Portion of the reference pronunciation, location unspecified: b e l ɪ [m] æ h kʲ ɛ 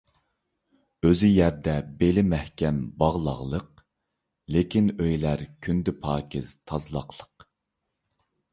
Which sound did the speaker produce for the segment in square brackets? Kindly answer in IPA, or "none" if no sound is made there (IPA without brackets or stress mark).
m